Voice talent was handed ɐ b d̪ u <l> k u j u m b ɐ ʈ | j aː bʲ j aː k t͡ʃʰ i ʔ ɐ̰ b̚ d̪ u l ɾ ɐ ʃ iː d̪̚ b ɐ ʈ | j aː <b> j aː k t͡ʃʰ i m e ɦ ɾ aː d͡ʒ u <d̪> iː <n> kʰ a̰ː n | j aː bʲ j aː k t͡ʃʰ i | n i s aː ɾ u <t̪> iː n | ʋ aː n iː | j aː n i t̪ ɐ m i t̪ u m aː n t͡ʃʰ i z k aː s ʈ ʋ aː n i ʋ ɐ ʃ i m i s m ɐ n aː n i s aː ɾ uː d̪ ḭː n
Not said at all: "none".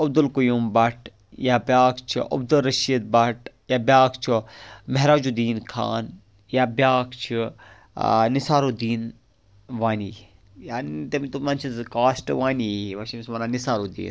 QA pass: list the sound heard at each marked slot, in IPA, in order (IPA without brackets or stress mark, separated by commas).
l, b, d̪, n, d̪